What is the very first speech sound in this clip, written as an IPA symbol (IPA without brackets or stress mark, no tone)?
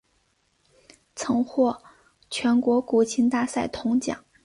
t͡sʰ